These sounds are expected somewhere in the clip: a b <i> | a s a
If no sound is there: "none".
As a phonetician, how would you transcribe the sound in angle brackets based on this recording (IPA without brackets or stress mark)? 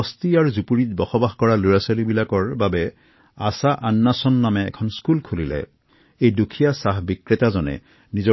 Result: ɛ